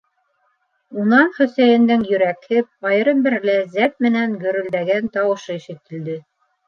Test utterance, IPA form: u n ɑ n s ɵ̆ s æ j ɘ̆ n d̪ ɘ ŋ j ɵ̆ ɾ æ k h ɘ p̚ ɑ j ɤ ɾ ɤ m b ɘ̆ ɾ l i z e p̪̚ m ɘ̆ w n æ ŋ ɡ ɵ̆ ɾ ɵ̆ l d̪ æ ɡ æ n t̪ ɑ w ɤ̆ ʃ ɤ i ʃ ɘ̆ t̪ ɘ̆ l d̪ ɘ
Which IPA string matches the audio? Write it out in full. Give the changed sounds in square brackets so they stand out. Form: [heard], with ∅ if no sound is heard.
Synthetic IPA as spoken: u n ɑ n [χ] ɵ̆ s æ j ɘ̆ n d̪ ɘ ŋ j ɵ̆ ɾ æ k h ɘ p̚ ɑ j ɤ ɾ ɤ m b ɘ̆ ɾ l [æ] z [æ] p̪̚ m ɘ̆ [∅] n æ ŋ ɡ ɵ̆ ɾ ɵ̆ l d̪ æ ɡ æ n t̪ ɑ w ɤ̆ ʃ ɤ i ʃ ɘ̆ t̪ ɘ̆ l d̪ ɘ